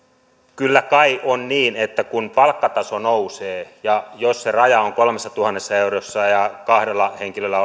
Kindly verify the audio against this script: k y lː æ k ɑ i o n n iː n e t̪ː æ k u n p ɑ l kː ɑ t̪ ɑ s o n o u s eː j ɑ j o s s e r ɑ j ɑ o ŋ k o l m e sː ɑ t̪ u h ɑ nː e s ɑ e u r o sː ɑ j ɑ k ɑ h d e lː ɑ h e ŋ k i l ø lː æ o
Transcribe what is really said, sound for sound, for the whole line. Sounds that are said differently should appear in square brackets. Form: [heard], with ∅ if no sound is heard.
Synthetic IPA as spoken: k y lː æ k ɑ i o n n iː n e t̪ː æ k u n p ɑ l kː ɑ t̪ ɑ s o n o u s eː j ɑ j o s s e r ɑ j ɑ o ŋ k o l m e sː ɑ t̪ u h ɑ nː e [sː] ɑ e u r o sː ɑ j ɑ k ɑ h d e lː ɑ h e ŋ k i l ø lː æ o